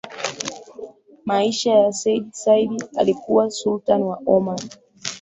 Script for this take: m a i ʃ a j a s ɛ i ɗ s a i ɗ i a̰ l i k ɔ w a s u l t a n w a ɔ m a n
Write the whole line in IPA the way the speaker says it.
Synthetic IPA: m a i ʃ a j a s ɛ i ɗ s a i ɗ i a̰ l i k u w a s u l t a n w a ɔ m a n